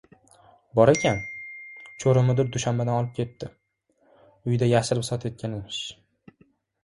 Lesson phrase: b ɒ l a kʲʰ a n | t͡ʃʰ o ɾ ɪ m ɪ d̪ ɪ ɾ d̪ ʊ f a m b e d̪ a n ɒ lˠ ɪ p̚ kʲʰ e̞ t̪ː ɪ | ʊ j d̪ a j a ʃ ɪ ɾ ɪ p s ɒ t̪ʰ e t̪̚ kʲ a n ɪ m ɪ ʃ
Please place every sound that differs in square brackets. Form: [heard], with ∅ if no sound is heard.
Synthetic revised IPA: b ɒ [ɾ] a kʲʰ a n | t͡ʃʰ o ɾ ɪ m ɪ d̪ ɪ ɾ d̪ ʊ [ʃ] a m b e d̪ a n ɒ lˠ ɪ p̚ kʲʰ e̞ t̪ː ɪ | ʊ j d̪ a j a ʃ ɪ ɾ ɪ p s ɒ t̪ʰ e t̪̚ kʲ a n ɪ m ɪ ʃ